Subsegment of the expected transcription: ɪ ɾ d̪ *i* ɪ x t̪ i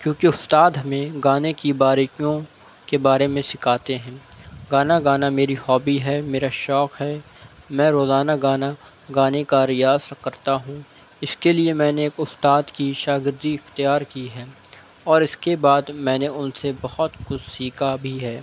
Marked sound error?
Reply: no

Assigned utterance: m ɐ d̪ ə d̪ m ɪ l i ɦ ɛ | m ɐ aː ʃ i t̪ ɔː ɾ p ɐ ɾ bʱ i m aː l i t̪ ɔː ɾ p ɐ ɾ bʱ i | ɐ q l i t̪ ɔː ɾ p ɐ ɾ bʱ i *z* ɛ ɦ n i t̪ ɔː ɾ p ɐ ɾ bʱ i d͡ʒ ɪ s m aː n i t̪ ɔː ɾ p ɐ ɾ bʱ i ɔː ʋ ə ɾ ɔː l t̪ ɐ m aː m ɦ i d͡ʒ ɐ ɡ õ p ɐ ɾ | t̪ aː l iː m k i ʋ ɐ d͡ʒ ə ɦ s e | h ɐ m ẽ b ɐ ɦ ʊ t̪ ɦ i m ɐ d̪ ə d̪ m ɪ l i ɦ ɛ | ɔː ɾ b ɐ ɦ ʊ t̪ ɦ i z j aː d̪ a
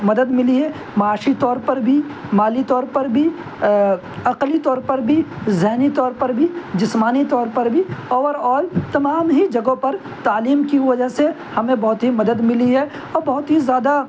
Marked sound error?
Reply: no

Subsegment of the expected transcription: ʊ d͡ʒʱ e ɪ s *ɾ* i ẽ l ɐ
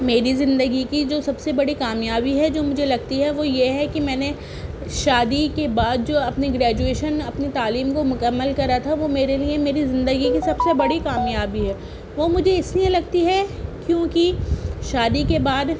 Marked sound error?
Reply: yes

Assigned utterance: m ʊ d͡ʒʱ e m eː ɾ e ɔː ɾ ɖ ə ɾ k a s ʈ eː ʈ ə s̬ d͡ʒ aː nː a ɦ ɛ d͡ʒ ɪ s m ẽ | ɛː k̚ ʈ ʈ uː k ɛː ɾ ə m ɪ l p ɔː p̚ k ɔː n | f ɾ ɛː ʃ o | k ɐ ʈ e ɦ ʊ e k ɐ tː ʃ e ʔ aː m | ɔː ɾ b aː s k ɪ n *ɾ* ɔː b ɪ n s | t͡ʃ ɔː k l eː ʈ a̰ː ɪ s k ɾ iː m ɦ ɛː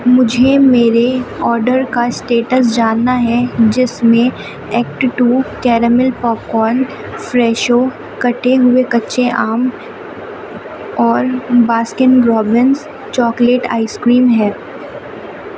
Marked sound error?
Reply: no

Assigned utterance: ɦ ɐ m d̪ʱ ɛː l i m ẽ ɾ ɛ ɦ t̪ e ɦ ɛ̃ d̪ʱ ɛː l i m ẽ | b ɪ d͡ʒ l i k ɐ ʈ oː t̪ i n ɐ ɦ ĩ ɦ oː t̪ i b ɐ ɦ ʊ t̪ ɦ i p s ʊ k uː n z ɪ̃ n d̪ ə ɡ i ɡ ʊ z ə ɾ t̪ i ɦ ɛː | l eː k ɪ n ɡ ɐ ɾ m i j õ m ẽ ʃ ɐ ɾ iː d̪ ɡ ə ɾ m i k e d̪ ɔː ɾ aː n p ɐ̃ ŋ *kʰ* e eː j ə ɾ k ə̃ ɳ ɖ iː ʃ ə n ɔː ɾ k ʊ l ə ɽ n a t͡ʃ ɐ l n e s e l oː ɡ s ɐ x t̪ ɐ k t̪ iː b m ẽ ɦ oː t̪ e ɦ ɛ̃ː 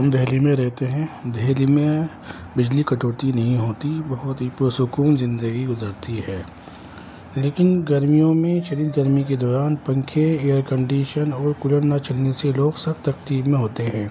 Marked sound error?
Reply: no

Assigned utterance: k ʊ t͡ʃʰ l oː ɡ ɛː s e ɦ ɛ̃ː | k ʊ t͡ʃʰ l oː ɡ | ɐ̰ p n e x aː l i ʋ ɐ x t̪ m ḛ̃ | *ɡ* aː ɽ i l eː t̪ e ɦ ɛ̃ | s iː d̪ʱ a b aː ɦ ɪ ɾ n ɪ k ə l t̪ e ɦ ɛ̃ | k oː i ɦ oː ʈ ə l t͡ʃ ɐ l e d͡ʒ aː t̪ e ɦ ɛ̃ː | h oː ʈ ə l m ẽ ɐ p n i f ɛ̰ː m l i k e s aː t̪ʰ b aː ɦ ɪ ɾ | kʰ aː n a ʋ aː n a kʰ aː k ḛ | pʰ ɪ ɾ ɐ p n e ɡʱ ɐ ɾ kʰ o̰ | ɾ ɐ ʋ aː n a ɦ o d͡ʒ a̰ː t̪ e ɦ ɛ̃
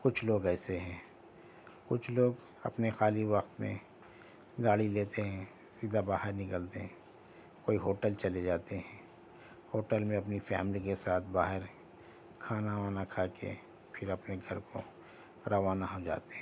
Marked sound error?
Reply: no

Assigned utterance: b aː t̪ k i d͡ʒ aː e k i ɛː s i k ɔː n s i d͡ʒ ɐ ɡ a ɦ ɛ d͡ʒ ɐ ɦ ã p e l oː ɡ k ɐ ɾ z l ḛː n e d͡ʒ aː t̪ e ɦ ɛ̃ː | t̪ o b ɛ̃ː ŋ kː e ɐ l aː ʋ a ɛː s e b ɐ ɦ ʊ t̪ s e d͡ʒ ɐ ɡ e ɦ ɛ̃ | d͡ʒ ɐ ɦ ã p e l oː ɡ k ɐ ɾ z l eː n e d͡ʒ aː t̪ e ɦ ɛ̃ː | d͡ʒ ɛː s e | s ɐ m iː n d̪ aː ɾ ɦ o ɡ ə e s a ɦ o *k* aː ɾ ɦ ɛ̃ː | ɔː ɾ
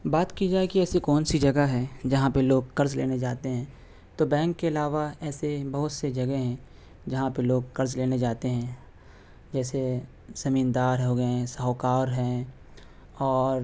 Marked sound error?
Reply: no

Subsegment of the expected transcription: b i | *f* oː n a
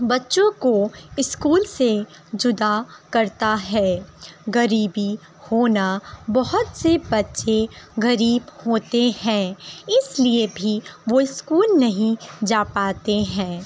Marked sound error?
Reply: yes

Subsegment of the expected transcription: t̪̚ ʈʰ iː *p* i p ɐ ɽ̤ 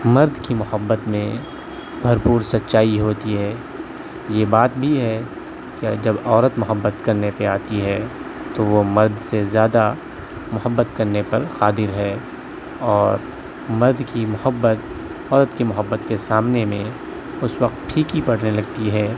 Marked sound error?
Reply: yes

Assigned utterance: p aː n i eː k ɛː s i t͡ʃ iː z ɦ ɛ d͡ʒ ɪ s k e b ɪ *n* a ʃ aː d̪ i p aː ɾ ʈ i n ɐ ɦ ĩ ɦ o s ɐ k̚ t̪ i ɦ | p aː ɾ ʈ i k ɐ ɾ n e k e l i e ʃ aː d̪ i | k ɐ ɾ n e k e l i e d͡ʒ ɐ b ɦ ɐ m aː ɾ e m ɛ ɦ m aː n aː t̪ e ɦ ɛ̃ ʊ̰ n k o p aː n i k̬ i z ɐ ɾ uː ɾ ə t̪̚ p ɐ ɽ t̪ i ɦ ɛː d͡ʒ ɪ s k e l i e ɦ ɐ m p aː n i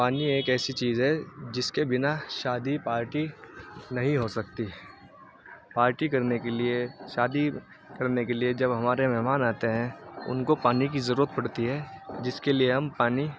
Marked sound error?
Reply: no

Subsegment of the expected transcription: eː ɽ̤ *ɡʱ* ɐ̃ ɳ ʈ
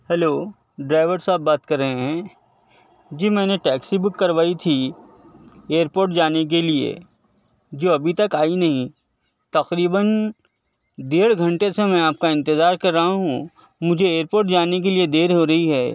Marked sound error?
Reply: no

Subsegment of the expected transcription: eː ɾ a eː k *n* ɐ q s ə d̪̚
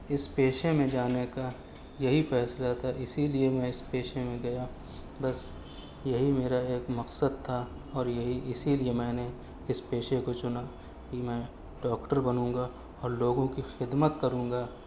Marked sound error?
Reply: yes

